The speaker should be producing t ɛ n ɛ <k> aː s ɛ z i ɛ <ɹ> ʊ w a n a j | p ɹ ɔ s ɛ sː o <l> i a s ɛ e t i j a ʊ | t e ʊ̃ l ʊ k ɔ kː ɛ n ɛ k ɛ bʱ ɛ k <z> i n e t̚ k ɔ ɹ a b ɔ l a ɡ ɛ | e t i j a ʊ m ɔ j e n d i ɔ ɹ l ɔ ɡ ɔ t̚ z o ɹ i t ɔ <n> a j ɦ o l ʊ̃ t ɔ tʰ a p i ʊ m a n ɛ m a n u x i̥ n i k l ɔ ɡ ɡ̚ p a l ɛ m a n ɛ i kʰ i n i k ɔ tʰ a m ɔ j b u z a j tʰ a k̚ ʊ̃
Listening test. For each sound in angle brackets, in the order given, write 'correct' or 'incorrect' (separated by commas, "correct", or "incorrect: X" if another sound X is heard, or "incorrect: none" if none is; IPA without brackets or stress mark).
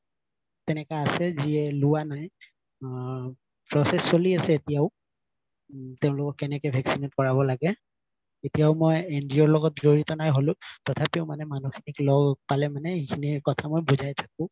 correct, incorrect: l, correct, incorrect: s, correct